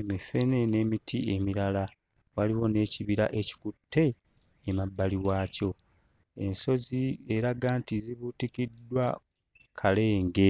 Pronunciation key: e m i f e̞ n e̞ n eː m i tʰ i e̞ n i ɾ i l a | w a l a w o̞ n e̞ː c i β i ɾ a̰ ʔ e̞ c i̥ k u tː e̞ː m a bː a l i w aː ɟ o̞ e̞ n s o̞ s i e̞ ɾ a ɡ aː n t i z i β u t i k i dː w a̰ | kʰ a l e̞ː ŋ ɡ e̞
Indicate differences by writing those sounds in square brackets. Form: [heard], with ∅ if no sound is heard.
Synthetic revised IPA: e m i f e̞ n e̞ n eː m i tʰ i e̞ [m] i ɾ [a] l a | w a l [i] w o̞ n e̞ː c i β i ɾ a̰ ʔ e̞ c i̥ k u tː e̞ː m a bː a l i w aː [c] o̞ e̞ n s o̞ [z] i e̞ ɾ a ɡ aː n t i z i β u t i k i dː w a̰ | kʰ a l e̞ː ŋ ɡ e̞